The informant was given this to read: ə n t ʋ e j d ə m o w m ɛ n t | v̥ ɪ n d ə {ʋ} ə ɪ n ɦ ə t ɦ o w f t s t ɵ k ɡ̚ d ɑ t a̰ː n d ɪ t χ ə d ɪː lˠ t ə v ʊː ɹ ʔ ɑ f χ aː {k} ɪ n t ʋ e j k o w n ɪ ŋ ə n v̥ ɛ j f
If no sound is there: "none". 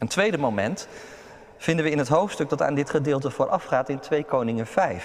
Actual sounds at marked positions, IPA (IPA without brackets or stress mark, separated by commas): ʋ, t